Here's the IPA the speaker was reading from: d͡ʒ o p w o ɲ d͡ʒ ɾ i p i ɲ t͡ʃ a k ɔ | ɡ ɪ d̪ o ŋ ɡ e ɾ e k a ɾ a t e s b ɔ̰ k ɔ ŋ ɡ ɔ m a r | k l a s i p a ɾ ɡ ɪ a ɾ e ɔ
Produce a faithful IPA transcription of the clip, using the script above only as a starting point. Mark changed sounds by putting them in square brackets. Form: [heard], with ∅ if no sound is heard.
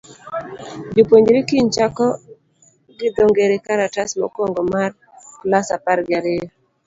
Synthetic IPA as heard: d͡ʒ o p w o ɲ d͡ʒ ɾ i [k] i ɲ t͡ʃ a k ɔ | ɡ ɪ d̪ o ŋ ɡ e ɾ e k a ɾ a t [a] s [m] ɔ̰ k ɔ ŋ ɡ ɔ m a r | k l a s [a] p a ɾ ɡ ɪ a ɾ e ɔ

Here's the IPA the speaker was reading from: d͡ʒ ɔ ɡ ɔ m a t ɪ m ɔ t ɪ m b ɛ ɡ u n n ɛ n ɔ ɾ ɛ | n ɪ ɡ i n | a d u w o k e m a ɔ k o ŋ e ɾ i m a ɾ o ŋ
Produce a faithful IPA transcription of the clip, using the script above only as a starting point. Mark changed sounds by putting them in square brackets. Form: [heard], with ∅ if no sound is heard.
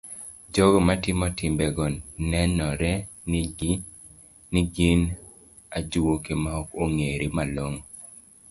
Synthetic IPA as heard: d͡ʒ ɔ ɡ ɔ m a t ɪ m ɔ t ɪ m b ɛ ɡ [ɔ] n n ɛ n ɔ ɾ ɛ | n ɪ ɡ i n | a [d͡ʒ] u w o k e m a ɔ k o ŋ e ɾ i m a [l] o ŋ

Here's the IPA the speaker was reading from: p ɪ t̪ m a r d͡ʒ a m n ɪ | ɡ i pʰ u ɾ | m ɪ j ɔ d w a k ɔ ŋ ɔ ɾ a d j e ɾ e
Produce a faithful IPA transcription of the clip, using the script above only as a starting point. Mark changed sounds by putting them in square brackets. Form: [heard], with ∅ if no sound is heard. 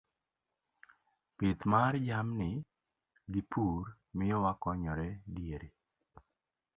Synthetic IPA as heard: p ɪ t̪ m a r d͡ʒ a m n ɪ | ɡ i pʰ u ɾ | m ɪ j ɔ [∅] w a k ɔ [ɲ] ɔ ɾ [ɛ] d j e ɾ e

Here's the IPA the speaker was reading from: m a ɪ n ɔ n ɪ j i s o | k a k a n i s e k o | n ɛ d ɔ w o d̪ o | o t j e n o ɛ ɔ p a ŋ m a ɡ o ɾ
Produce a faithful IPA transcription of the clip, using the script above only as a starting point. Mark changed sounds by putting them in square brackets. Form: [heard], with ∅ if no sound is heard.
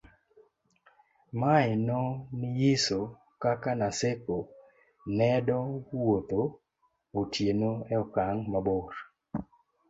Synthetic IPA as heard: m a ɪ n ɔ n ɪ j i s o | k a k a n [a] s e k o | n ɛ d ɔ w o [t̪] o | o t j e n o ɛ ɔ [k] a ŋ m a [b] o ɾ

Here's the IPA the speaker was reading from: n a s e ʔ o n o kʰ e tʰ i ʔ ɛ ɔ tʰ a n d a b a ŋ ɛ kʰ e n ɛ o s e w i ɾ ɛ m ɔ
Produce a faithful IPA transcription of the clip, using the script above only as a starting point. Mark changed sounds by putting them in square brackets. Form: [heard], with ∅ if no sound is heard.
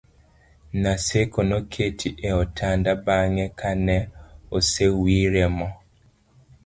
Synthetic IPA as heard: n a s e [k] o n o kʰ e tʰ i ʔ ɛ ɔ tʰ a n d a b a ŋ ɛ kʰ [a] n ɛ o s e w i ɾ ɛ m ɔ

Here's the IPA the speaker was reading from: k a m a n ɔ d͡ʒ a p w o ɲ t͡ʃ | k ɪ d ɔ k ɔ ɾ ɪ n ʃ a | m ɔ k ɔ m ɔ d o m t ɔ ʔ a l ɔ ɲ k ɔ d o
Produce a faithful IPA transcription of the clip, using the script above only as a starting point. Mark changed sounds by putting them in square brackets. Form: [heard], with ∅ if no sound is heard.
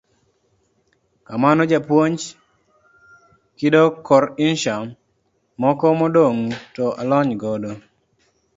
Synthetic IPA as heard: k a m a n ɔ d͡ʒ a p w o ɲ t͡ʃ | k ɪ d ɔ k ɔ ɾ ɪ n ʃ a | m ɔ k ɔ m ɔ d o [ŋ] t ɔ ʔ a l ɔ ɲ [ɡ] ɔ d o

